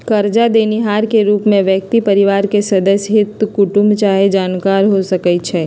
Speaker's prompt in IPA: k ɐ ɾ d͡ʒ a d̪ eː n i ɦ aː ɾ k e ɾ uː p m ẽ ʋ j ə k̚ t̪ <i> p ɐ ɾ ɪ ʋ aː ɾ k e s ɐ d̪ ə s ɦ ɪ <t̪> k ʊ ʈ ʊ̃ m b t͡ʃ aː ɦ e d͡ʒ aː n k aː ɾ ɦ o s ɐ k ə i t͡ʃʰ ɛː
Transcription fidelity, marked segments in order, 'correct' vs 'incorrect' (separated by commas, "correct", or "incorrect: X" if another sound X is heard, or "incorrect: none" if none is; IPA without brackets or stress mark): correct, correct